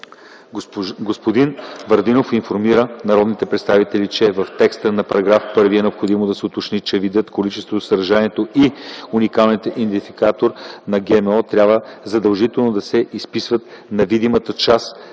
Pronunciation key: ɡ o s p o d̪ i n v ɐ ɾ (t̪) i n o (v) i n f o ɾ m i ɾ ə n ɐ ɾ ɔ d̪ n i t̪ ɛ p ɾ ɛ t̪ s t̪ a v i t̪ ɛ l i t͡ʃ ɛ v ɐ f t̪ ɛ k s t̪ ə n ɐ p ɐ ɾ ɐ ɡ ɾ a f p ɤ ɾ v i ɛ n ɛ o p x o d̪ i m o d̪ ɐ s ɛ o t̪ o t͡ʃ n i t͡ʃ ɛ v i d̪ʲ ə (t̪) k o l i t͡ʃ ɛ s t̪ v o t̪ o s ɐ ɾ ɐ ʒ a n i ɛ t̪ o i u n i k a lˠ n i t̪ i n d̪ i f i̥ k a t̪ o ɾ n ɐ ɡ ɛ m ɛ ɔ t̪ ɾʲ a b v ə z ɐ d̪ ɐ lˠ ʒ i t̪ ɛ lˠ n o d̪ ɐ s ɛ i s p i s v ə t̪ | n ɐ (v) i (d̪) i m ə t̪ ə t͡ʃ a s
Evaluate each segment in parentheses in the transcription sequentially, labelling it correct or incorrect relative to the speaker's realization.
incorrect: d̪, incorrect: f, correct, correct, correct

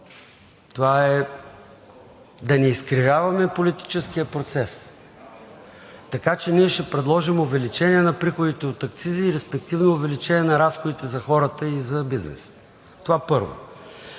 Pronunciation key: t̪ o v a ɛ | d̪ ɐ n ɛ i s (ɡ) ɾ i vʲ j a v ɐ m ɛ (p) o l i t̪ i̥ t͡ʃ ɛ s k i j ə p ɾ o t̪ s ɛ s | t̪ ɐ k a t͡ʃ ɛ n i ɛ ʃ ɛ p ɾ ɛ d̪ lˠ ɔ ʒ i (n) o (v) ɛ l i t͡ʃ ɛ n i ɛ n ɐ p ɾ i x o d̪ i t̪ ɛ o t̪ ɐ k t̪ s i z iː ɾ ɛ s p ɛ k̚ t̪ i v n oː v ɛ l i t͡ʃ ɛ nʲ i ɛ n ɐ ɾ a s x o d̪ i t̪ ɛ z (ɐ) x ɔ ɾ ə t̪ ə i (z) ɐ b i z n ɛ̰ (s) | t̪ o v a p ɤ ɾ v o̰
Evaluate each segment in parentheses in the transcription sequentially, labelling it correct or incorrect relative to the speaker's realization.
incorrect: k, correct, incorrect: m, correct, correct, correct, correct

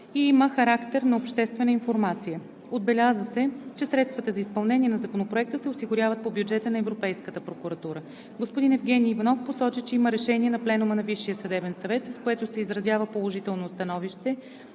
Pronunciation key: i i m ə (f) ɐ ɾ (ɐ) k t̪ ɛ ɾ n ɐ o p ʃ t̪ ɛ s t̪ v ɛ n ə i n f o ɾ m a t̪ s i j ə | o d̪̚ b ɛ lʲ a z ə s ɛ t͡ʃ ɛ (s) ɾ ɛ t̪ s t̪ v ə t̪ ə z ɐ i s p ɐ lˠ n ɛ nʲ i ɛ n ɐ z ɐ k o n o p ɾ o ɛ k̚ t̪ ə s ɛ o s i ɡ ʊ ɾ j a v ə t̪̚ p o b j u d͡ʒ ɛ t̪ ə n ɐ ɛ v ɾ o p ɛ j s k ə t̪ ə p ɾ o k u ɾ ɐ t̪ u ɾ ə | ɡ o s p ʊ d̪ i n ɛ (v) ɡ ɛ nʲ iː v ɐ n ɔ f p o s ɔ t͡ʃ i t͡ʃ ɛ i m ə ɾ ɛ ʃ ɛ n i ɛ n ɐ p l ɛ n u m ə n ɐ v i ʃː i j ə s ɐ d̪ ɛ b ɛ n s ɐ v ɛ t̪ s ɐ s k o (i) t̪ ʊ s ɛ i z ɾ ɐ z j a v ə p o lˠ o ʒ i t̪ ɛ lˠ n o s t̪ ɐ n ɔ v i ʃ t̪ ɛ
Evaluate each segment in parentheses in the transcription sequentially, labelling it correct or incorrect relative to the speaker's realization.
incorrect: x, incorrect: a, correct, correct, incorrect: ɛ

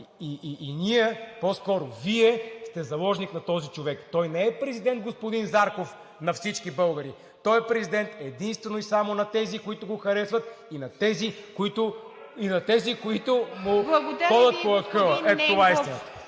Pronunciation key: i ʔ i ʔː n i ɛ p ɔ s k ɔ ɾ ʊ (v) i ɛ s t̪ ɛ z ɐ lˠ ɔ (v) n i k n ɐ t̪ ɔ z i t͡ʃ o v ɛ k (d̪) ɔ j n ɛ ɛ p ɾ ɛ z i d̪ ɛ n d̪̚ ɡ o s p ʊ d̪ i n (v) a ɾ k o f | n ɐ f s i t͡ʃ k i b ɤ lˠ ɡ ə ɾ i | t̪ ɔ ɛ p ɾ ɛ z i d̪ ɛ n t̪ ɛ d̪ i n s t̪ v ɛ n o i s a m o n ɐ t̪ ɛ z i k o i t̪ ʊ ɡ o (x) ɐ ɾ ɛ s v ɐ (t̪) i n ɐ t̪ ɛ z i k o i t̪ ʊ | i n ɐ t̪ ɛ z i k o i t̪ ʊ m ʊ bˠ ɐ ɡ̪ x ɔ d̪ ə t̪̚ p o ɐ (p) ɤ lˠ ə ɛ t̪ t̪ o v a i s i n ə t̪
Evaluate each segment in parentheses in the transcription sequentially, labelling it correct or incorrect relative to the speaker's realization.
correct, incorrect: ʒ, incorrect: t̪, incorrect: z, correct, correct, incorrect: k

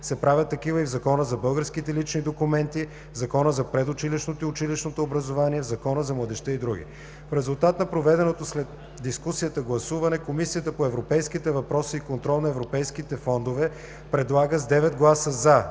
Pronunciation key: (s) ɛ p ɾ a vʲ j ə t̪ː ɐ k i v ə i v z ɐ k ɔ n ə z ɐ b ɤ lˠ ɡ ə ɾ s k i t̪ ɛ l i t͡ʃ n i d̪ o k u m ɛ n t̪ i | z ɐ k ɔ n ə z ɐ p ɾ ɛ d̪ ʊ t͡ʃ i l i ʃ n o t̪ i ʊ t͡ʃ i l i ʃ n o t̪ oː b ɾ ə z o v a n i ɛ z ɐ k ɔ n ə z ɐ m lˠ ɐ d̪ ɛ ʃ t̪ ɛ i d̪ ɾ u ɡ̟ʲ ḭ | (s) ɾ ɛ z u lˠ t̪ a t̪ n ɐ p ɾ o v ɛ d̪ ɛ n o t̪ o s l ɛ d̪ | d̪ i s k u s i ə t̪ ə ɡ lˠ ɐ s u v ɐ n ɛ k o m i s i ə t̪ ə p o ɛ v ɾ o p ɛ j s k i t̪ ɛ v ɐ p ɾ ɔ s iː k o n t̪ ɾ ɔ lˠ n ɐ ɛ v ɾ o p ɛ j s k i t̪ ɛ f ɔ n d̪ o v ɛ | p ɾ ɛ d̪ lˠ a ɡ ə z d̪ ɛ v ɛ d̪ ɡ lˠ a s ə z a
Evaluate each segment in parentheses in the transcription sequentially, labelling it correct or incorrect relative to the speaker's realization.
correct, incorrect: f

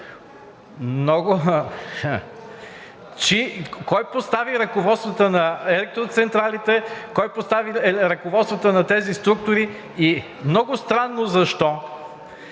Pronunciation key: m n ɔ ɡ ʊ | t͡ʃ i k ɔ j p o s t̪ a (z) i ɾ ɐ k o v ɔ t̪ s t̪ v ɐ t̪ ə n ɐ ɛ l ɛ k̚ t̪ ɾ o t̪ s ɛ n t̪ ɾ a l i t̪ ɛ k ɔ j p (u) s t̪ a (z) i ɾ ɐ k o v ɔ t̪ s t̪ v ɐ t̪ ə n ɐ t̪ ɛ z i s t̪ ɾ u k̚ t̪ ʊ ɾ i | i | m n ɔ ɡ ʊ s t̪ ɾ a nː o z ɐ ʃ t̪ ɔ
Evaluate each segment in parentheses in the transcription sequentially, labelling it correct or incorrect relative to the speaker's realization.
incorrect: v, incorrect: o, incorrect: v

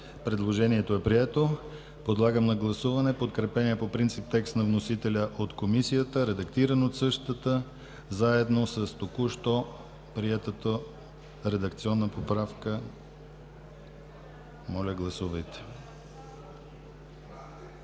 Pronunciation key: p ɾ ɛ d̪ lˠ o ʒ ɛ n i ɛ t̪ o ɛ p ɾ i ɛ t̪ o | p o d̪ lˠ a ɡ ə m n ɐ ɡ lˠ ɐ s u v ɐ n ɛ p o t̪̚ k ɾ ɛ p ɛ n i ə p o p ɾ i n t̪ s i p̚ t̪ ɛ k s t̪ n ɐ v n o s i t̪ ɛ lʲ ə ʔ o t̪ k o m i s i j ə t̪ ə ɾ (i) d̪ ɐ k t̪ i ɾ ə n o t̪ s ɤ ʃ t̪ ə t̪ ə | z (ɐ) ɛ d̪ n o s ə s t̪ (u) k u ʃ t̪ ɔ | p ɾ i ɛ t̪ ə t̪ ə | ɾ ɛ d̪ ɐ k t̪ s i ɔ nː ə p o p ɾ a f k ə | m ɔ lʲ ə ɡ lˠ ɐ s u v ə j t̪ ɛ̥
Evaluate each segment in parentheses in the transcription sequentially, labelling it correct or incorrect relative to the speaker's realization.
incorrect: ɛ, incorrect: a, incorrect: o

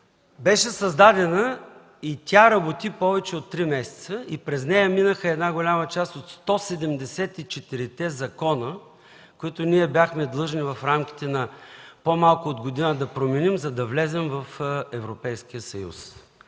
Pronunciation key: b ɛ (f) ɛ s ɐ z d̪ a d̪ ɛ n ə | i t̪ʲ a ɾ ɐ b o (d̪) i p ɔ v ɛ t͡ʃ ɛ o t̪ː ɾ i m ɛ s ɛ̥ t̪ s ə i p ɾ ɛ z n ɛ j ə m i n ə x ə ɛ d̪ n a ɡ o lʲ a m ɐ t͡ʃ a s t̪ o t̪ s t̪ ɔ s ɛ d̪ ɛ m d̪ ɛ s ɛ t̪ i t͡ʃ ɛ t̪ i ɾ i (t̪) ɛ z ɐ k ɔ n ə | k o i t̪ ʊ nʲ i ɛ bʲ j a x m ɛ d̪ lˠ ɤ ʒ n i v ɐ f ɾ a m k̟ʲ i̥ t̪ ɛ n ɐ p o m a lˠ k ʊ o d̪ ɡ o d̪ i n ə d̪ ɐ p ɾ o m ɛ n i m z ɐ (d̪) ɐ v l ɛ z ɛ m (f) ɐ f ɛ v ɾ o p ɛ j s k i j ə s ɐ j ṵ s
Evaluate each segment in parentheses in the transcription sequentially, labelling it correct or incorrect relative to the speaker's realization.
incorrect: ʃ, incorrect: t̪, correct, correct, incorrect: v

